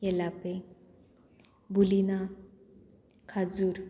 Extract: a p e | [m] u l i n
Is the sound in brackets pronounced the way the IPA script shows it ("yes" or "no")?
no